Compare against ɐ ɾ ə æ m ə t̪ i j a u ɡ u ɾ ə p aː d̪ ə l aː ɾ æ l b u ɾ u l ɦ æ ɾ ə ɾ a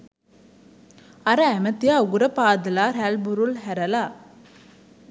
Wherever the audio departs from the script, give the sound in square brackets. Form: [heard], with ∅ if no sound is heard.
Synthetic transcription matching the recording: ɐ ɾ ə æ m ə t̪ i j a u ɡ u ɾ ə p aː d̪ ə l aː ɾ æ l b u ɾ u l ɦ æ ɾ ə [l] a